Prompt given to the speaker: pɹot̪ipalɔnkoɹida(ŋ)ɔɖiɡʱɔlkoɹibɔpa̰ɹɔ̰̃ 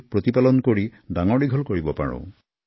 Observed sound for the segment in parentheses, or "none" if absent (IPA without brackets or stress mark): ŋ